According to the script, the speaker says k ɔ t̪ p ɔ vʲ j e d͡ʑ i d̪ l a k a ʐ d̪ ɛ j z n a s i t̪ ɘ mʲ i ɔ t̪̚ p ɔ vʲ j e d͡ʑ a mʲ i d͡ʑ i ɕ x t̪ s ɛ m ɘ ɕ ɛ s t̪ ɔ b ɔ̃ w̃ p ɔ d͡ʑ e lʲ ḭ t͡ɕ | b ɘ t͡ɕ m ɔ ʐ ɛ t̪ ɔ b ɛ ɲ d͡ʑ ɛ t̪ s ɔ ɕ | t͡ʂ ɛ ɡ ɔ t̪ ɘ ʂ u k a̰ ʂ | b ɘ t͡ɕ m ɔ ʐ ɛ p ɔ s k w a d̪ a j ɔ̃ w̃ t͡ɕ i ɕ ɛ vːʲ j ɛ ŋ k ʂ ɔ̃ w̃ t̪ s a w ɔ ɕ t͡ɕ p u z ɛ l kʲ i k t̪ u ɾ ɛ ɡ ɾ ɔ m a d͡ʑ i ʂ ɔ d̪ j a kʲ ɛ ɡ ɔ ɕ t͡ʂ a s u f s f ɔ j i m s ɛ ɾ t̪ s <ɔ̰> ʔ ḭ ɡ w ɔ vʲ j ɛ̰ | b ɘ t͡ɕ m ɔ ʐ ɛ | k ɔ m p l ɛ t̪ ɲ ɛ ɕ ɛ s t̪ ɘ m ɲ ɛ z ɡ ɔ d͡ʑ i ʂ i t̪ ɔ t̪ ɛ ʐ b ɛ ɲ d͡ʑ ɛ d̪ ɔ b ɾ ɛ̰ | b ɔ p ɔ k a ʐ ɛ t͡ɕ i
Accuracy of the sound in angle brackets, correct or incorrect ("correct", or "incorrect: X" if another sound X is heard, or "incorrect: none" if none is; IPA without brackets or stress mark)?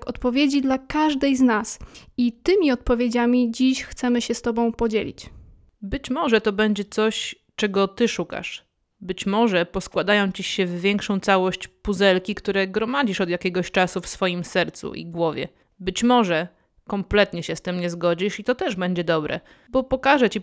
incorrect: ṵ